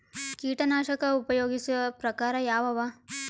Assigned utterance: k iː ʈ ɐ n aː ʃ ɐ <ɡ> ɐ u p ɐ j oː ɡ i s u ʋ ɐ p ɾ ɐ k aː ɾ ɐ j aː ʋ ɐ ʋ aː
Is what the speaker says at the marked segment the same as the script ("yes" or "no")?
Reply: no